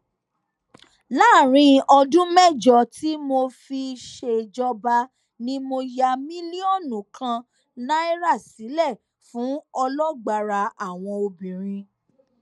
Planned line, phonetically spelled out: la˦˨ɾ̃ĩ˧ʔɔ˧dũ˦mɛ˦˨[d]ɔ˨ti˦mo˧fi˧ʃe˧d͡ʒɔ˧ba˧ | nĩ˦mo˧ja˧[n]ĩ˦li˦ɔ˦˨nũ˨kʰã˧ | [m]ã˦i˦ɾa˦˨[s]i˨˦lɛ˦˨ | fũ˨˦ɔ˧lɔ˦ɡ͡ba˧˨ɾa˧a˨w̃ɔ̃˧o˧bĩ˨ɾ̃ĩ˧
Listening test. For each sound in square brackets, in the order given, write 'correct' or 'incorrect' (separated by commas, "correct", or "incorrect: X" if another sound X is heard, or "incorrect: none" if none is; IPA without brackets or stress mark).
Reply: incorrect: d͡ʒ, incorrect: m, incorrect: n, correct